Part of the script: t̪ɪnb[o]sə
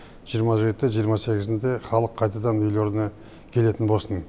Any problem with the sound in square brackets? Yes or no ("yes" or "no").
no